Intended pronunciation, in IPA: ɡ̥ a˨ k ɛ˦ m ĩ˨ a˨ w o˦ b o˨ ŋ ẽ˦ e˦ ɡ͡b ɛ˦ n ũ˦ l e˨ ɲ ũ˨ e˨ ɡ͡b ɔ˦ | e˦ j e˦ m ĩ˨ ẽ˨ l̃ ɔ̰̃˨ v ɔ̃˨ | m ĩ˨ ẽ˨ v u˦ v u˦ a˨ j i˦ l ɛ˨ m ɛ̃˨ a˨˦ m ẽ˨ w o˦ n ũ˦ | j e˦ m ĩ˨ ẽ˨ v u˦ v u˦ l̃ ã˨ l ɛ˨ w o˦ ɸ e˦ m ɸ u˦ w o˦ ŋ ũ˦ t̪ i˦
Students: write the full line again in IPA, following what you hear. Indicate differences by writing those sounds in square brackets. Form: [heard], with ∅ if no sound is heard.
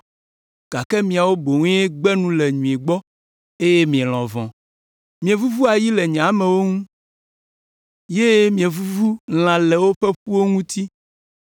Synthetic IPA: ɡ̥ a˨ k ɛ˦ m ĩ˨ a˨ w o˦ b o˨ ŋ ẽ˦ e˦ ɡ͡b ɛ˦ n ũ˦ l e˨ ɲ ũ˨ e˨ ɡ͡b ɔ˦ | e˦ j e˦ m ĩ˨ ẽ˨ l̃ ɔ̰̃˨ v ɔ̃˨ | m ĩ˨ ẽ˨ v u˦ v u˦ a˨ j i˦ l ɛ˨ [ɲ] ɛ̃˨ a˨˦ m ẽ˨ w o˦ [ŋ] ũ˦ | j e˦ m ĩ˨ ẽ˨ v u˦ v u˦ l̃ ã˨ l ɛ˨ w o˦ ɸ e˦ [∅] ɸ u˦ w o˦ ŋ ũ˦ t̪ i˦

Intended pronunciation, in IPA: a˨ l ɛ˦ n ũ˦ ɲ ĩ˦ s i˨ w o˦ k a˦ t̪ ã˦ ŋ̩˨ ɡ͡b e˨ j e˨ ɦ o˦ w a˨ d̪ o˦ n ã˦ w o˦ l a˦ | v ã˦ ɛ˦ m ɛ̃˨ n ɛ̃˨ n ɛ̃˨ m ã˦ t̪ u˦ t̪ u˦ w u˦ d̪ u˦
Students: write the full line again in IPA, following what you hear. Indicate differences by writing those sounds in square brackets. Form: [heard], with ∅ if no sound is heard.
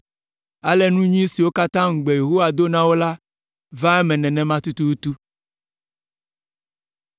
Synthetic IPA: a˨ l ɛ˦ n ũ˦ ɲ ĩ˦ s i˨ w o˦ k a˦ t̪ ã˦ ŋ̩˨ ɡ͡b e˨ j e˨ ɦ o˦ w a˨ d̪ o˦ n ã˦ w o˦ l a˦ | v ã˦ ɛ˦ m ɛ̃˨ n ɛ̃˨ n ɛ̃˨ m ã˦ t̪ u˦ t̪ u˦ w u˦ [t̪] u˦

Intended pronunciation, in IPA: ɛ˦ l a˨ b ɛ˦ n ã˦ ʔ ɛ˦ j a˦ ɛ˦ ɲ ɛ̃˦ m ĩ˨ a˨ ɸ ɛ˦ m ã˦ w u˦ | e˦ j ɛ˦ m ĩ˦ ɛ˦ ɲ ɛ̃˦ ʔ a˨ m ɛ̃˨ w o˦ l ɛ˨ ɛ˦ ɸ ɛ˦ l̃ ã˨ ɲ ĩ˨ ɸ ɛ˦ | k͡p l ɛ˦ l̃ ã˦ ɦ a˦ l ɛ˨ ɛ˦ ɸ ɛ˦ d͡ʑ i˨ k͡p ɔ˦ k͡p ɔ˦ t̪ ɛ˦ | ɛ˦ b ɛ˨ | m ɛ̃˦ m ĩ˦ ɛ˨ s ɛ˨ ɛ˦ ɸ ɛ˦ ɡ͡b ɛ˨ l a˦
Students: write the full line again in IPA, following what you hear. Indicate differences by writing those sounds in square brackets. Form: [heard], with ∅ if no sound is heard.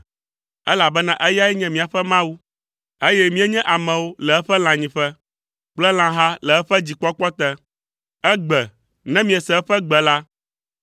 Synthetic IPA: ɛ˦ l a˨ b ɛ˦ n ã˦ ʔ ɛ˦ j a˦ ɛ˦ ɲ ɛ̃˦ m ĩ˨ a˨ ɸ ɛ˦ m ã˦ w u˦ | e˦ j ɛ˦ m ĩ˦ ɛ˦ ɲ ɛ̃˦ ʔ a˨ m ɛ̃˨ w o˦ l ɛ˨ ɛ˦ ɸ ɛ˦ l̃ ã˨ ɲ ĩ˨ ɸ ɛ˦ | k͡p l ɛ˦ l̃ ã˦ ɦ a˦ l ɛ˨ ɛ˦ ɸ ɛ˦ d͡ʑ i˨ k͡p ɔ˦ k͡p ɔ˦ t̪ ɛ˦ | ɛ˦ [ɡ͡b] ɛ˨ | [n] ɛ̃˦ m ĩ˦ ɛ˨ s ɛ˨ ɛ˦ ɸ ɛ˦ ɡ͡b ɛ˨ l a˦

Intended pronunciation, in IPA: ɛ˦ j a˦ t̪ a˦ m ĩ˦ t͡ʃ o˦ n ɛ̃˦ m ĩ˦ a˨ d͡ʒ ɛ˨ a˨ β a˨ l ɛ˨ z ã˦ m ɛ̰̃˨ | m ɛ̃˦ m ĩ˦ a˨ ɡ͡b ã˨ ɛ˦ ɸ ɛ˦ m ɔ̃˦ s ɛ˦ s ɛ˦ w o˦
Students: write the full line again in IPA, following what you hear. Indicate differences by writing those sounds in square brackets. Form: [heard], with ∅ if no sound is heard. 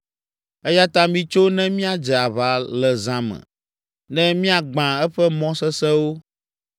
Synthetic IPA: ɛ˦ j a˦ t̪ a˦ m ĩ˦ t͡ʃ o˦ n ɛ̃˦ m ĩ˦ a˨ d͡ʒ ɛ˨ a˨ β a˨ l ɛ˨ z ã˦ m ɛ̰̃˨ | [n] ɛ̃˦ m ĩ˦ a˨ ɡ͡b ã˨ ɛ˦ ɸ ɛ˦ m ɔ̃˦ s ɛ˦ s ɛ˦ w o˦

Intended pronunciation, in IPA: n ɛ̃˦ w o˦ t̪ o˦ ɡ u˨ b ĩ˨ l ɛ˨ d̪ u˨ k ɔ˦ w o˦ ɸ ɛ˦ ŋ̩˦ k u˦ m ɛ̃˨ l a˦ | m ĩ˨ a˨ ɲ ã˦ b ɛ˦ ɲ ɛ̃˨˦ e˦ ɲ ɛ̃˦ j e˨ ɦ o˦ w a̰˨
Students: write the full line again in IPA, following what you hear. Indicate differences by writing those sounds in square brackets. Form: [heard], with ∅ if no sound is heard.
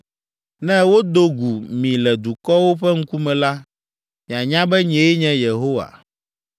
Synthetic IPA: n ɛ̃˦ w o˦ [d̪] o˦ ɡ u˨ [m] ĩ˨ l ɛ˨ d̪ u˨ k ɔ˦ w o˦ ɸ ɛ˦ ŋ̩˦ k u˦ m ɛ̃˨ l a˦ | m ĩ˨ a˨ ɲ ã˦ b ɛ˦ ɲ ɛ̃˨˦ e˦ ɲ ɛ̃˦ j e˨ ɦ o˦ w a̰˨

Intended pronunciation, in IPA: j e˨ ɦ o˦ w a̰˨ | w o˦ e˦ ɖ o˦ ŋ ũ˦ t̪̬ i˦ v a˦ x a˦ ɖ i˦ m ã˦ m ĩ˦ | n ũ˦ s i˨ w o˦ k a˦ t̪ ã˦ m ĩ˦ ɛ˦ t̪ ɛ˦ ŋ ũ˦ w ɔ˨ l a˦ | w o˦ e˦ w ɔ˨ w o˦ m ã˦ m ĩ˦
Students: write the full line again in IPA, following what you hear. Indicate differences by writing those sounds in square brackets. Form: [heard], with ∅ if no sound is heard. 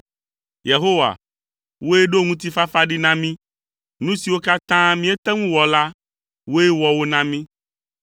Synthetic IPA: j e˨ ɦ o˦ w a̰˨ | w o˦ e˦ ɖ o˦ ŋ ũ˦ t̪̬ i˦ [f] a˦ [f] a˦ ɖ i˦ [n] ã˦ m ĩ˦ | n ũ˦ s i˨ w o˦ k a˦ t̪ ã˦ m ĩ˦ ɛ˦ t̪ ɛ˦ ŋ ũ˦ w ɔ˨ l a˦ | w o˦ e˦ w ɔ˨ w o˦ [n] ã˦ m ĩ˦

